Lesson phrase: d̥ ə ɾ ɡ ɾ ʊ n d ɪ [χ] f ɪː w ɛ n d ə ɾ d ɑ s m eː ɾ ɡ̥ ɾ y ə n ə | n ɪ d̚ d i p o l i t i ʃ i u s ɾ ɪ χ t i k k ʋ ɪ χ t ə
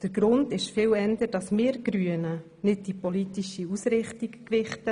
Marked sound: incorrect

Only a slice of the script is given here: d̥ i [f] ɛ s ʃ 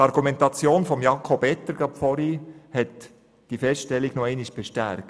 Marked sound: correct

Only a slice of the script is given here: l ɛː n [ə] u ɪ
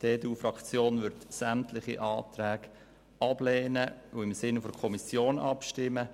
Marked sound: correct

